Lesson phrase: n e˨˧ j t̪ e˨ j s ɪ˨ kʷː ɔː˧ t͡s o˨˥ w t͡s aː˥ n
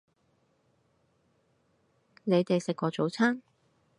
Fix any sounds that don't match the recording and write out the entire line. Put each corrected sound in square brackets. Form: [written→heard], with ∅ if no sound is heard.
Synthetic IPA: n e˨˧ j t̪ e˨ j s ɪ˨ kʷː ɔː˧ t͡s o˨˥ w [t͡s→t͡sʰ] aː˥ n